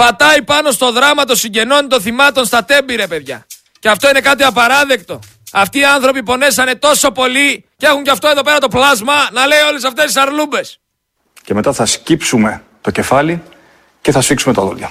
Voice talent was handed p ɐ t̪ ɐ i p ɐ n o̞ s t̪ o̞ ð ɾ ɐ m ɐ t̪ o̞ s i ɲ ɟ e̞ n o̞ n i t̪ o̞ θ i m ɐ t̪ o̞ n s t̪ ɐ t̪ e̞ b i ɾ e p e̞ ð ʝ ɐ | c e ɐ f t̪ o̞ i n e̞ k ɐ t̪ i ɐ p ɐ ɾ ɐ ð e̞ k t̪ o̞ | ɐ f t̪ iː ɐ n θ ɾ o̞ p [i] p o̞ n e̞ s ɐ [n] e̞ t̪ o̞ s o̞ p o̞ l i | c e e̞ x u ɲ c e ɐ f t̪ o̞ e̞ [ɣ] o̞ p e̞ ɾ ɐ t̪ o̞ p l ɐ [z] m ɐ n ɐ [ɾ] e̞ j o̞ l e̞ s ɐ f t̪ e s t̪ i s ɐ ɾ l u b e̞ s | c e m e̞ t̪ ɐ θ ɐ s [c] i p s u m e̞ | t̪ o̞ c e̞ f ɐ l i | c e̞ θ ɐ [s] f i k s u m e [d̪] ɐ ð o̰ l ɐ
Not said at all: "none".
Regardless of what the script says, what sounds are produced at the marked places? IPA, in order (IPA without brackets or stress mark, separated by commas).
i, n, ð, z, l, c, s, t̪